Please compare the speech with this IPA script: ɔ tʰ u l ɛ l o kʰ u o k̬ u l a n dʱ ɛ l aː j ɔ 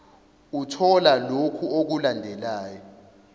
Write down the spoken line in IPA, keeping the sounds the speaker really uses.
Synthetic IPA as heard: u tʰ ɔ l a l o kʰ u o k̬ u l a n dʱ ɛ l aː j ɔ